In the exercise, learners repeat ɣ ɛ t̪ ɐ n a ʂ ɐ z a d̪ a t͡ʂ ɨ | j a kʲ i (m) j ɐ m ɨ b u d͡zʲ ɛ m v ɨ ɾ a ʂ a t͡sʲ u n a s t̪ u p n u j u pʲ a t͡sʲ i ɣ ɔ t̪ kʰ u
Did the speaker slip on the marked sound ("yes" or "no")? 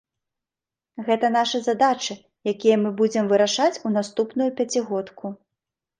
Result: yes